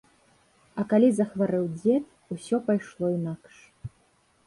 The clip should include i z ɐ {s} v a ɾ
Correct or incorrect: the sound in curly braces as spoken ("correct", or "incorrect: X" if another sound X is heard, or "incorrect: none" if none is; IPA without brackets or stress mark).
incorrect: x